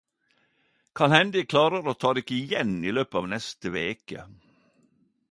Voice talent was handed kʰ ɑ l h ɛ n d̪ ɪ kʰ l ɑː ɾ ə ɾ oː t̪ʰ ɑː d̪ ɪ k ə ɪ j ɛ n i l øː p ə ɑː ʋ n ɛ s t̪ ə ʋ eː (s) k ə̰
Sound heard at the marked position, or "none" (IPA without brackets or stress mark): none